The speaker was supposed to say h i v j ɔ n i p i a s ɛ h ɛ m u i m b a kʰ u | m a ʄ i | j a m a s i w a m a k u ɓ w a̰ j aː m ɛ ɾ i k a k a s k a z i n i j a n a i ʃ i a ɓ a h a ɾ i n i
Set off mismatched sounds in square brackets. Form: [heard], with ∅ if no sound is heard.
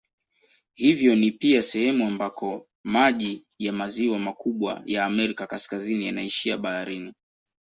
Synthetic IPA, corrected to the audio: h i v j ɔ n i p i a s ɛ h ɛ m u [a] m b a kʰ [ɔ] | m a ʄ i | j a m a [z] i w a m a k u ɓ w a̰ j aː m ɛ ɾ i k a k a s k a z i n i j a n a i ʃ i a ɓ a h a ɾ i n i